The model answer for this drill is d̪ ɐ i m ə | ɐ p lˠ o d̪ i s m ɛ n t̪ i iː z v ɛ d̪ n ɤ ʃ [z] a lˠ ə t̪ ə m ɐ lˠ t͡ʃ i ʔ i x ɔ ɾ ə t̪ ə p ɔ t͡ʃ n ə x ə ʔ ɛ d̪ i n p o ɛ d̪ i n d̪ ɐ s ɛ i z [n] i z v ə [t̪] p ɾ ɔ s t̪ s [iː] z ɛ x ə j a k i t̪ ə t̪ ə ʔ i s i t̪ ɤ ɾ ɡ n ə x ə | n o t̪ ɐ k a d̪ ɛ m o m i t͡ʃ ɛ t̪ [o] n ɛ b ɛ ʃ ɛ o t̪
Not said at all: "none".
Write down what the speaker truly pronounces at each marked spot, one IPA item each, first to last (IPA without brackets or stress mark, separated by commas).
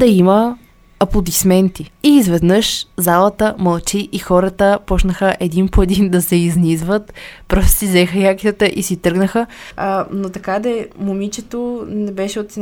z, n, t̪, i, o